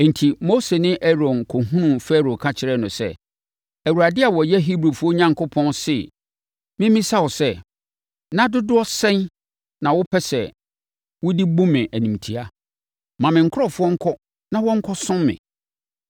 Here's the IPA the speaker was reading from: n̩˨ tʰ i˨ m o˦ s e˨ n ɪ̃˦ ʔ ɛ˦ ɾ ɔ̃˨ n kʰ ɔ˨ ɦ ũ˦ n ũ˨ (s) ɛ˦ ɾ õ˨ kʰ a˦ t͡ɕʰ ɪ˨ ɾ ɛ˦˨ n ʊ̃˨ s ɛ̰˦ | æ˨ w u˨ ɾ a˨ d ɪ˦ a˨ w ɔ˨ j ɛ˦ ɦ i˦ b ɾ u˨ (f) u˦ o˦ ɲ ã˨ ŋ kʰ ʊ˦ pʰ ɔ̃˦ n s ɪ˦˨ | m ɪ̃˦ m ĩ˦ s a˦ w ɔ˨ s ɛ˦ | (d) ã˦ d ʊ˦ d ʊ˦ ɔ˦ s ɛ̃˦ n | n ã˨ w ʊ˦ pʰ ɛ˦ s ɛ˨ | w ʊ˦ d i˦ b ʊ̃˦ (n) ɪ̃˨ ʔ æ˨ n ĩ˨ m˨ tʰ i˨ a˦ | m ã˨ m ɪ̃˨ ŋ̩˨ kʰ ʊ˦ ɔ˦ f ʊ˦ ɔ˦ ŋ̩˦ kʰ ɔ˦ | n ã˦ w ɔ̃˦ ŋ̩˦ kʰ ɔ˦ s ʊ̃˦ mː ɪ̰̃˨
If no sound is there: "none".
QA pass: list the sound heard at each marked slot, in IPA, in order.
f, f, n, m

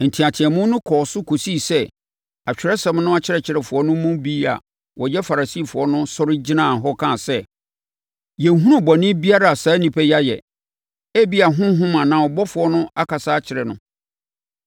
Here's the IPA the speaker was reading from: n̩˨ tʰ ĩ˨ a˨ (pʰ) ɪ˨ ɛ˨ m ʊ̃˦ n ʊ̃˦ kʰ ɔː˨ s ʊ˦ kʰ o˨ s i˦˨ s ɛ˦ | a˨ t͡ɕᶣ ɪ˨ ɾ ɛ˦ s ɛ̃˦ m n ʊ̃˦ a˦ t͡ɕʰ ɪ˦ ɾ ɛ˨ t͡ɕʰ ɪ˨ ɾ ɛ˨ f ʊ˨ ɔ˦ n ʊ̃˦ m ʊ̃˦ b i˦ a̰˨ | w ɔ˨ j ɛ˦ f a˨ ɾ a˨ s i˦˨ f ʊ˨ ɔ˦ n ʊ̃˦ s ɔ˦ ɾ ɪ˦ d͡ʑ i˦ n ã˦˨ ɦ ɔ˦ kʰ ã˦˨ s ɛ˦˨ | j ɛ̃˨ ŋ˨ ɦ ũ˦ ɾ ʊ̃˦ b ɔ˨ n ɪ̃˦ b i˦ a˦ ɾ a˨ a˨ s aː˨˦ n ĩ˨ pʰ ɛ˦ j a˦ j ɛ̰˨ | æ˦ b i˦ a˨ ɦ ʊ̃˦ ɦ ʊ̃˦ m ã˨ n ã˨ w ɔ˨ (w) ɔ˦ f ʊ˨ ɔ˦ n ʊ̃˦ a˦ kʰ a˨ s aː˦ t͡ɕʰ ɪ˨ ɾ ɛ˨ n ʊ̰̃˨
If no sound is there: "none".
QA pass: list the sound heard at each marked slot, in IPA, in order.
tʰ, b

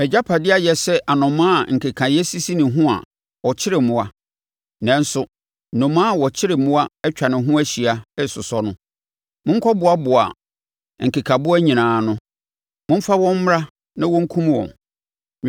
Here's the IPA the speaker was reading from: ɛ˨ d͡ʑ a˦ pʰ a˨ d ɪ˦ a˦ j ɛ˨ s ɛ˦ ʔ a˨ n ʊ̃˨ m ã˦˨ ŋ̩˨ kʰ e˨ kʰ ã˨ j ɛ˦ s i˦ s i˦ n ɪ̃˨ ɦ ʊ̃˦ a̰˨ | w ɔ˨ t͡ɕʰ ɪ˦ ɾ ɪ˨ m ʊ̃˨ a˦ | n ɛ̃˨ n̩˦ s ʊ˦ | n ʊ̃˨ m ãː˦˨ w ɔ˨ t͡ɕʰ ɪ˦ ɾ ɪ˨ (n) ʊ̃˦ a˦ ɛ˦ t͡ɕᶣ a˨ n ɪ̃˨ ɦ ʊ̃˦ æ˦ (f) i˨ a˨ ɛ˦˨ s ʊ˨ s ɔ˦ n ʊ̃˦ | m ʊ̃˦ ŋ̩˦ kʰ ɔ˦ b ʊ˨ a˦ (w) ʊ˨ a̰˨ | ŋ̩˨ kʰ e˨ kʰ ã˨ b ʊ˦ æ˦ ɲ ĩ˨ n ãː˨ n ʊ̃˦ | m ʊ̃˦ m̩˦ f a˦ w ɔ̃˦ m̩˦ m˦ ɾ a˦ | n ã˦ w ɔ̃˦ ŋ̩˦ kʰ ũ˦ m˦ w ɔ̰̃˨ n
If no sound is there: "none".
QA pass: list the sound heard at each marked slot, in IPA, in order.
m, ɕ, b

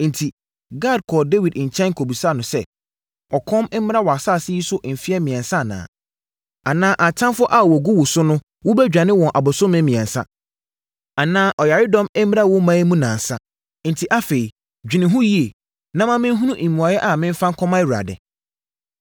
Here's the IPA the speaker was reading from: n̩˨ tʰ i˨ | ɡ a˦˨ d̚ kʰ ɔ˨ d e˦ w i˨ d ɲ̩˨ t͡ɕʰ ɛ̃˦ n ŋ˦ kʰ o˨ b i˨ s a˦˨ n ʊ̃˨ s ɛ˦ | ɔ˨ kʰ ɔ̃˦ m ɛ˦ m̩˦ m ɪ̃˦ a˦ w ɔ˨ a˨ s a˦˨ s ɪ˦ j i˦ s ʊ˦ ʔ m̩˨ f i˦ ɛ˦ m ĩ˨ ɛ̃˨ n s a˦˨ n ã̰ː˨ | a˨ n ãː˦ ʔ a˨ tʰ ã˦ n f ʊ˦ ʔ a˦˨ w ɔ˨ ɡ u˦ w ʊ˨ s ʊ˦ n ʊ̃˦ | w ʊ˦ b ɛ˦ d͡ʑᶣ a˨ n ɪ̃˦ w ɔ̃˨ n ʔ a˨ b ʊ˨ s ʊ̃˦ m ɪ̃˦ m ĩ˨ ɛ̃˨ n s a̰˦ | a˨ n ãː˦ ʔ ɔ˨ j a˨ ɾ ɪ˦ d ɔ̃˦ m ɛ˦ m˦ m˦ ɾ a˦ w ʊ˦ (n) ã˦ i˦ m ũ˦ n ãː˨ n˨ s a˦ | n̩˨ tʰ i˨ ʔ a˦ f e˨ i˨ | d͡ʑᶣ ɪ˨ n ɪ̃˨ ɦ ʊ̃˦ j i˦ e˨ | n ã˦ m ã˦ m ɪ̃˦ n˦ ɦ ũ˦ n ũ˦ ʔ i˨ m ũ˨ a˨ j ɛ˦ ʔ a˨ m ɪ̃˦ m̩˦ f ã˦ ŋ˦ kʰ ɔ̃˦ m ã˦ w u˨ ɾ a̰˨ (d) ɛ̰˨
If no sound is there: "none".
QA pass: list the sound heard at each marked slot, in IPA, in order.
m, d

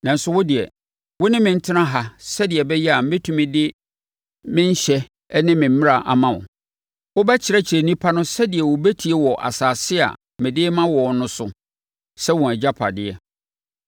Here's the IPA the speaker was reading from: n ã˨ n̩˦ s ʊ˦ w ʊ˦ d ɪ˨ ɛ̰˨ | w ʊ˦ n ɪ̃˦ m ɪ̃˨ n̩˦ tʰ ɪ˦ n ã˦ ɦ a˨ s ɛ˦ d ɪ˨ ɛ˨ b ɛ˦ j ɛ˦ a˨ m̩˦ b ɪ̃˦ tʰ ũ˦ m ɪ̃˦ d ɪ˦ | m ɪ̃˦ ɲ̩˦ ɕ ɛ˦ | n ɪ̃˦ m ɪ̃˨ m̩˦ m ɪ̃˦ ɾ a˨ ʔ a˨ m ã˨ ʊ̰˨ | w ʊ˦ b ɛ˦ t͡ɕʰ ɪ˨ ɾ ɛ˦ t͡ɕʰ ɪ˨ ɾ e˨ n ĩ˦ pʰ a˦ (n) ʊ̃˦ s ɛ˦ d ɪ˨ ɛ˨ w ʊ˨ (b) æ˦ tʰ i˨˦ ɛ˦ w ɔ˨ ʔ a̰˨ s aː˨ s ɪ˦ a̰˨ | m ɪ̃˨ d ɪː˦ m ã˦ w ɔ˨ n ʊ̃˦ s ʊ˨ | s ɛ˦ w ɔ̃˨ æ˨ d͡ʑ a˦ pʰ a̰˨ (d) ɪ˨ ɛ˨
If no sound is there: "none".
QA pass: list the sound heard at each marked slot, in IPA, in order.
n, b, d

